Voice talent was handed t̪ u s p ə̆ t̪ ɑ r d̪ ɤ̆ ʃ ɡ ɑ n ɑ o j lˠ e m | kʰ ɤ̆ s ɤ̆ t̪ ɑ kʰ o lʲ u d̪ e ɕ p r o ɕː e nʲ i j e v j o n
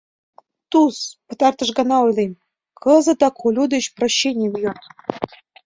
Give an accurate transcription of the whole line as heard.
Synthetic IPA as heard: t̪ u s p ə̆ t̪ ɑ r t̪ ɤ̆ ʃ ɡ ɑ n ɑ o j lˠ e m | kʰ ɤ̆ z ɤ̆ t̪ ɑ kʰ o lʲ u d̪ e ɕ p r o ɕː e nʲ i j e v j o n